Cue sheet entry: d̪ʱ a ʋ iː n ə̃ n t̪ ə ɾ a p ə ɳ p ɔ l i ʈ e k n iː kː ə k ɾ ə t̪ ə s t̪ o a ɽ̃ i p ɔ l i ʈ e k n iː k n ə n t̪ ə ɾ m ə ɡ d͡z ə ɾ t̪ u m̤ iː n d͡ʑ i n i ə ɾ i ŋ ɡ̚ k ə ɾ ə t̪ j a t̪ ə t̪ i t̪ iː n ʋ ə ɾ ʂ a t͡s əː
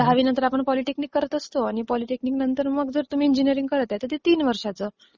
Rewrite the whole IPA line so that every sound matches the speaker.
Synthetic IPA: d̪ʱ a ʋ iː n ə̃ n t̪ ə ɾ a p ə ɳ p ɔ l i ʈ e k n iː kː ə ɾ ə t̪ ə s t̪ o a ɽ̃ i p ɔ l i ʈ e k n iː k n ə n t̪ ə ɾ m ə ɡ d͡z ə ɾ t̪ u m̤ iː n d͡ʑ i n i ə ɾ i ŋ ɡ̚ k ə ɾ ə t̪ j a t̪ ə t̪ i t̪ iː n ʋ ə ɾ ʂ a t͡s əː

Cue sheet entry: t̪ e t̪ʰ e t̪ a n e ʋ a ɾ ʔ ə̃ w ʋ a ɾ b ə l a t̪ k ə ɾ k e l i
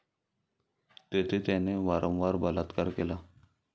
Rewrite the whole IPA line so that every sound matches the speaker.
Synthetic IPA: t̪ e t̪ʰ e t̪ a n e ʋ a ɾ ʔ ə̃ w ʋ a ɾ b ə l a t̪ k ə ɾ k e l a

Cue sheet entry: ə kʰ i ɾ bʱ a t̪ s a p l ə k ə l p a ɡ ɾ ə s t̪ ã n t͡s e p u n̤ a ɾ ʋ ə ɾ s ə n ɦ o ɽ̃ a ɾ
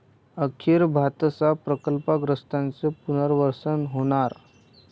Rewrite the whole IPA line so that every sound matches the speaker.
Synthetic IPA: ə kʰ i ɾ bʱ a t̪ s a p ɾ ə k ə l p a ɡ ɾ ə s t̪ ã n t͡s e p u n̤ ə ɾ ʋ ə ɾ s ə n ɦ o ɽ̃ a ɾ

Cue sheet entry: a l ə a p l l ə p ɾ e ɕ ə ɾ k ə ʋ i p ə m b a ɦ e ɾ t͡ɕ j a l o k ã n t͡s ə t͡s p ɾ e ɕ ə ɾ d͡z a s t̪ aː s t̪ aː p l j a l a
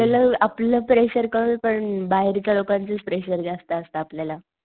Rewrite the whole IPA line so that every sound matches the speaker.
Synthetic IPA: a l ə a p l l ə p ɾ e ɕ ə ɾ k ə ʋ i p ə ɳ b a ɦ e ɾ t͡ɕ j a l o k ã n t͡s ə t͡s p ɾ e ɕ ə ɾ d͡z a s t̪ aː s t̪ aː p l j a l a

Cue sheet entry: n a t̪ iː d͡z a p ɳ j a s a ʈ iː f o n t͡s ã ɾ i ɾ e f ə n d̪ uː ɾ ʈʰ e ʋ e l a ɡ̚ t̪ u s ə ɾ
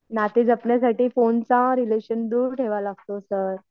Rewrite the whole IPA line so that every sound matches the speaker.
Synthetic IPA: n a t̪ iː d͡z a p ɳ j a s a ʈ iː f o n t͡s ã ɾ i l e ɕ ə n d̪ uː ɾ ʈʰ e ʋ a l a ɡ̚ t̪ o s ə ɾ

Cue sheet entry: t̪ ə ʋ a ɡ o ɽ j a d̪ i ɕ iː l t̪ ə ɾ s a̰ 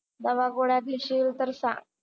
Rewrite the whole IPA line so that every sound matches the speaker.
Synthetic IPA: d̪ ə ʋ a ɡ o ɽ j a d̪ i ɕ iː l t̪ ə ɾ s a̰

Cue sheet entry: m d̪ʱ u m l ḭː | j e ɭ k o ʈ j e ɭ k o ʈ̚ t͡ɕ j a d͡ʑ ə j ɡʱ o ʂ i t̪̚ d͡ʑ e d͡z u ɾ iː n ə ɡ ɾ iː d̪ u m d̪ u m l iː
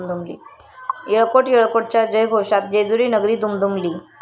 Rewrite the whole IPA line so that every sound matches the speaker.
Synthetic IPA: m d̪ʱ u m l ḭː | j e ɭ k o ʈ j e ɭ k o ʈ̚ t͡ɕ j a d͡ʑ ə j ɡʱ o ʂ a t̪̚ d͡ʑ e d͡z u ɾ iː n ə ɡ ɾ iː d̪ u m d̪ u m l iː

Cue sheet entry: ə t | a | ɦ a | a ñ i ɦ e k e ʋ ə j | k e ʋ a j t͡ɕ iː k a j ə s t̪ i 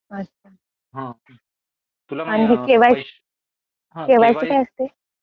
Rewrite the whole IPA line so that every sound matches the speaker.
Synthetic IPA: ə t | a | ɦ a | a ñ i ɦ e k e ʋ a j | k e ʋ a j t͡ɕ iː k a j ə s t̪ e

